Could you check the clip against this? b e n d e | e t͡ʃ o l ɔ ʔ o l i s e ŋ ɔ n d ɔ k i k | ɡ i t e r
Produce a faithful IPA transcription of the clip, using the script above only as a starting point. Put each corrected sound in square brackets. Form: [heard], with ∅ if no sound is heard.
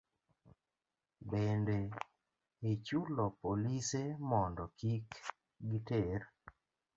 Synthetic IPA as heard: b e n d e | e t͡ʃ [u] l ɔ [p] o l i s e [m] ɔ n d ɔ k i k | ɡ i t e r